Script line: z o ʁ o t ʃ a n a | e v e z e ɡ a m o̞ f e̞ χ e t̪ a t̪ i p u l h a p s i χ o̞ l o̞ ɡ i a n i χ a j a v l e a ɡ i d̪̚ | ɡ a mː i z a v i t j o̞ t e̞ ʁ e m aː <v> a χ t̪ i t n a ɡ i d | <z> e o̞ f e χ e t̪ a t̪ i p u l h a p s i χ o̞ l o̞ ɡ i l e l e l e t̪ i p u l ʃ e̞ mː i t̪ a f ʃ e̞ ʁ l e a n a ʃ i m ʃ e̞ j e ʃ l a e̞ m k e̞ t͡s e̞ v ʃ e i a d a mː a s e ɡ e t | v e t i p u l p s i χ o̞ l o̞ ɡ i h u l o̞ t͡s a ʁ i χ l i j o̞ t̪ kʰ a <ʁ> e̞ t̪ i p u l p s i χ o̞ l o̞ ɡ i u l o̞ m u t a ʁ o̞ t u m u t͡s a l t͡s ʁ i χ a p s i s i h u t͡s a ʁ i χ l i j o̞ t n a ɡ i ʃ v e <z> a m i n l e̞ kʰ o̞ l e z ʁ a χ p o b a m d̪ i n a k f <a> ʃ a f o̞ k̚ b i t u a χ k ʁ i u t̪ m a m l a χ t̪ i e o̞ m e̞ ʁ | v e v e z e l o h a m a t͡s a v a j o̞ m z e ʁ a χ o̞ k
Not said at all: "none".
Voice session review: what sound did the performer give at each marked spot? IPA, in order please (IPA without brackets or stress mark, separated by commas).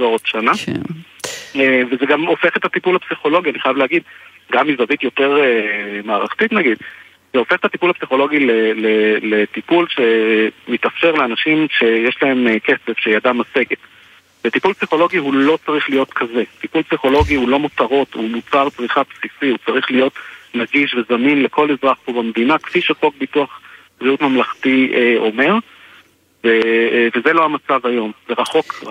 ʁ, z, z, z, i